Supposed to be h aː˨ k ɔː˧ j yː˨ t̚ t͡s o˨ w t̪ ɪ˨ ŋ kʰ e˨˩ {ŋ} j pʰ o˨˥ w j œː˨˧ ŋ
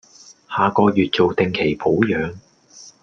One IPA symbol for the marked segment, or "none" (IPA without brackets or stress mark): none